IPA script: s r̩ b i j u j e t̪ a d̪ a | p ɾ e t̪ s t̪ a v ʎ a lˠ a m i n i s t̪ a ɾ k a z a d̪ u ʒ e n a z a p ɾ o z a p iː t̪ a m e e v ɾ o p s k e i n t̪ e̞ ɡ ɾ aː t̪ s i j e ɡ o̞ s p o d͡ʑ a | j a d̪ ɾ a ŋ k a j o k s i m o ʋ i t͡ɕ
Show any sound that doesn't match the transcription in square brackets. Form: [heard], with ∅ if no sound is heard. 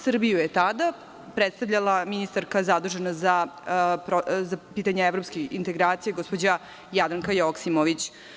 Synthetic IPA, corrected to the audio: s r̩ b i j u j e t̪ a d̪ a | p ɾ e t̪ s t̪ a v ʎ a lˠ a m i n i s t̪ a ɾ k a z a d̪ u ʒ e n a z a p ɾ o z a p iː t̪ a [ɲ] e e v ɾ o p s k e i n t̪ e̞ ɡ ɾ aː t̪ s i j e ɡ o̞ s p o d͡ʑ a | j a d̪ ɾ a ŋ k a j o k s i m o ʋ i t͡ɕ